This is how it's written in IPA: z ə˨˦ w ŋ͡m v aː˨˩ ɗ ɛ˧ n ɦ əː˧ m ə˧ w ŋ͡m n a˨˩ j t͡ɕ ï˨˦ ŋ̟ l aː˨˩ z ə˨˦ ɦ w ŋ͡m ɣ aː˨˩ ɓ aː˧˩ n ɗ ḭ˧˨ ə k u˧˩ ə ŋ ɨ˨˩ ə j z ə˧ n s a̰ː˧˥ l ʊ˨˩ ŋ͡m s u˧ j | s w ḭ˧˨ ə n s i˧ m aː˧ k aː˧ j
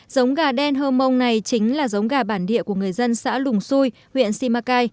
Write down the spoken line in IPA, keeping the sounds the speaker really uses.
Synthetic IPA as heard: z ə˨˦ w ŋ͡m ɣ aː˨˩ ɗ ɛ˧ n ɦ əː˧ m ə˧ w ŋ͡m n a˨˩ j t͡ɕ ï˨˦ ŋ̟ l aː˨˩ z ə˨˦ w ŋ͡m ɣ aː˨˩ ɓ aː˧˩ n ɗ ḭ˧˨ ə k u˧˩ ə ŋ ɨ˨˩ ə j z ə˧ n s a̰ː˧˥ l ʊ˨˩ ŋ͡m s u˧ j | h w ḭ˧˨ ə n s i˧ m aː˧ k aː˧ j